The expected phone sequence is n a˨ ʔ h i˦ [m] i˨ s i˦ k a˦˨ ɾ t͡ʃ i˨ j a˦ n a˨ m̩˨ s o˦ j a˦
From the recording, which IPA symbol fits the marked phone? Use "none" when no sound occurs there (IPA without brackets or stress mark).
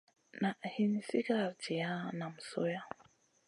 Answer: n